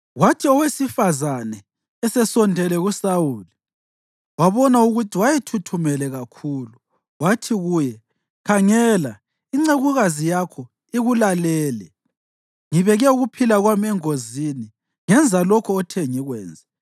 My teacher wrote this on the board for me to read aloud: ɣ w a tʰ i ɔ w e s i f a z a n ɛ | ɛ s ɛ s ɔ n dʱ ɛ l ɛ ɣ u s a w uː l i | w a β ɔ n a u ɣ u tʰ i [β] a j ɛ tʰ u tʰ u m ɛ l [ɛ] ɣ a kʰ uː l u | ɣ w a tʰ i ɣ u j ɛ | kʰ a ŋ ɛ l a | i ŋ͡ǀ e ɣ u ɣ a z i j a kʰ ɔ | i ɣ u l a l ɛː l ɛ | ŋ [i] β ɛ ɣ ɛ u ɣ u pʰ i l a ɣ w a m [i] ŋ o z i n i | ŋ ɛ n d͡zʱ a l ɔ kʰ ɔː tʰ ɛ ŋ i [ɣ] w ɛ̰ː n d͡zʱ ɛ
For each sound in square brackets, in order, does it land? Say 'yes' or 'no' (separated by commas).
no, yes, yes, no, yes